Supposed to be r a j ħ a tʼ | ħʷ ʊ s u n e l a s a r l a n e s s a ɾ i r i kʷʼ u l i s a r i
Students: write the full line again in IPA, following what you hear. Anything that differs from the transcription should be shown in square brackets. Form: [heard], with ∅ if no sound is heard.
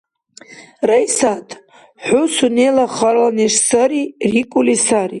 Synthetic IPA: r a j [s] a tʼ | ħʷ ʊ s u n e l a [χ] a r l a n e [ʂ] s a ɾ i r i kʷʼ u l i s a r i